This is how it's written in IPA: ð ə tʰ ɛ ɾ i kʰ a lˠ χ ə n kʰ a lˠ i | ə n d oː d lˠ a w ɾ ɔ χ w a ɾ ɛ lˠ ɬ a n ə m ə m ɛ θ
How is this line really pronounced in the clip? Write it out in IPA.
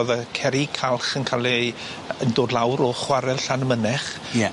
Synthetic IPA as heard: ð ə kʰ ɛ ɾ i kʰ a lˠ χ ə n kʰ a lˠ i | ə n d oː d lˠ a w ɾ ɔ χ w a ɾ ɛ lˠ ɬ a n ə m ə n ɛ χ